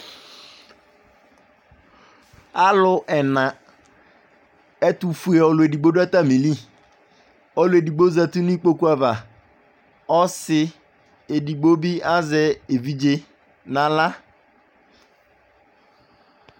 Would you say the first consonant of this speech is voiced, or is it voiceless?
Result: voiced